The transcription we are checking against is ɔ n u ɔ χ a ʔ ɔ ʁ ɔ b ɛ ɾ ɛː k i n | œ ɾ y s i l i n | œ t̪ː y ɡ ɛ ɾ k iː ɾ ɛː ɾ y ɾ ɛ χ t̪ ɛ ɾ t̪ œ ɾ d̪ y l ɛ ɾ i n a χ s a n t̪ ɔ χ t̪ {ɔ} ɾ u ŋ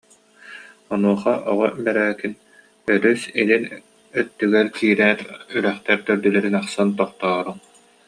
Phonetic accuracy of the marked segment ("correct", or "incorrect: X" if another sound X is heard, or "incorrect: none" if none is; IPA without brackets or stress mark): incorrect: ɔː